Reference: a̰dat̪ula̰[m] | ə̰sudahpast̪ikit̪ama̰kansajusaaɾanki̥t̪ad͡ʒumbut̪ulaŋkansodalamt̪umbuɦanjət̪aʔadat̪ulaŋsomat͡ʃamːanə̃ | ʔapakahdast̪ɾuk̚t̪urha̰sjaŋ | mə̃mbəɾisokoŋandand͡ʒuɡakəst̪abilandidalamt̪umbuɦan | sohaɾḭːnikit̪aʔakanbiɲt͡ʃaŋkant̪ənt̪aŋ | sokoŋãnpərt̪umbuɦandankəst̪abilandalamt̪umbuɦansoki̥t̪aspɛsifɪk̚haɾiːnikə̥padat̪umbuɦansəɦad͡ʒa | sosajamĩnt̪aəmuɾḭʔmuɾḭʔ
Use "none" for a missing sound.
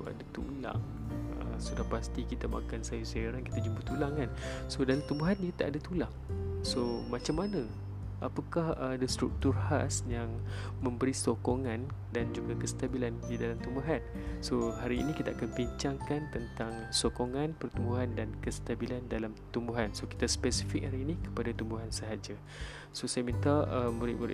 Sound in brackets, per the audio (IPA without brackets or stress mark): ŋ